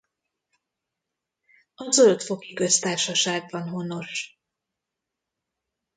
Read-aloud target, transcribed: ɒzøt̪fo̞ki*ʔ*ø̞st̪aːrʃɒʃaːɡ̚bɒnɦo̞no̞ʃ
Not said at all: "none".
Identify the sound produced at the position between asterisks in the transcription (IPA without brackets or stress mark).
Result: k